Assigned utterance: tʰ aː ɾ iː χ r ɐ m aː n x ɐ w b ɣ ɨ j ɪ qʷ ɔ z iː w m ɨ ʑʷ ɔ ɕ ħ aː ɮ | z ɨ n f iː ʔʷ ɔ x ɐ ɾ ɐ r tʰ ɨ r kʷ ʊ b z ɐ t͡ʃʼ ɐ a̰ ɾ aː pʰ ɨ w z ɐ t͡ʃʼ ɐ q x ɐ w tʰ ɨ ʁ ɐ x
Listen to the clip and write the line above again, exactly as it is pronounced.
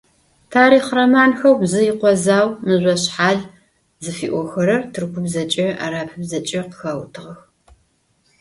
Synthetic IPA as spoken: tʰ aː ɾ iː χ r ɐ m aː n x ɐ w b z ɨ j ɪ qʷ ɔ z aː w m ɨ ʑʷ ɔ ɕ ħ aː ɮ | z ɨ f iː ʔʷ ɔ x ɐ ɾ ɐ r tʰ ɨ r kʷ ʊ b z ɐ t͡ʃʼ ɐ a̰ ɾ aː pʰ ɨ b z ɐ t͡ʃʼ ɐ q x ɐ w tʰ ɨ ʁ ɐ x